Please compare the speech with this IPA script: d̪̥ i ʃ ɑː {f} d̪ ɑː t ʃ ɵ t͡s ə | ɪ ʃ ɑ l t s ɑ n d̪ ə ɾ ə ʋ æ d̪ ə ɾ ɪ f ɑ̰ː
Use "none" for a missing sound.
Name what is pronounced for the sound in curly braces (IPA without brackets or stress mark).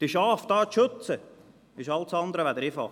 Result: f